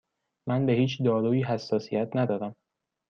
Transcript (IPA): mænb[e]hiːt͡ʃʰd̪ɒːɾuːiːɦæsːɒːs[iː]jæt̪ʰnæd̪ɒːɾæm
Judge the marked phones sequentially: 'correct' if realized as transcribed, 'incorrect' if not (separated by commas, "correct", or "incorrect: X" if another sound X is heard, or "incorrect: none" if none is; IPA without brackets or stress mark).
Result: correct, incorrect: i